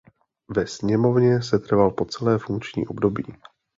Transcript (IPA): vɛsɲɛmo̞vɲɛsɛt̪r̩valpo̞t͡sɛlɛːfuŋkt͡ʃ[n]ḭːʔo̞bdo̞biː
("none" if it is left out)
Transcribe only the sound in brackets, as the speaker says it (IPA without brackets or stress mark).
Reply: ɲ